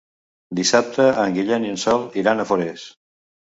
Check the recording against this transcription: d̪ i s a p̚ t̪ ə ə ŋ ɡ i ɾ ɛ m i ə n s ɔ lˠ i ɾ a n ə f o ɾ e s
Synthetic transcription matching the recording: d̪ i s a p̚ t̪ ə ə ŋ ɡ i ʎ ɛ n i ə n s ɔ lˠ i ɾ a n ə f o ɾ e s